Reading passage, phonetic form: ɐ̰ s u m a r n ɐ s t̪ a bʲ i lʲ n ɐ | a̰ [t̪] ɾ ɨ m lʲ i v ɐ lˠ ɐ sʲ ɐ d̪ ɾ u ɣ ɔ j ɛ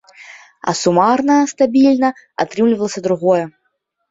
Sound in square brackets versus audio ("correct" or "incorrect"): correct